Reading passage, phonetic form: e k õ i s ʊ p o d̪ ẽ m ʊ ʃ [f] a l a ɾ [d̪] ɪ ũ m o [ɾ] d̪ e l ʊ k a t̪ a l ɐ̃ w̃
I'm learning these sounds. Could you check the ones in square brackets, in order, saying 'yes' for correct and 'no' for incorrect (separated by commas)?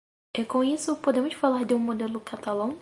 yes, yes, no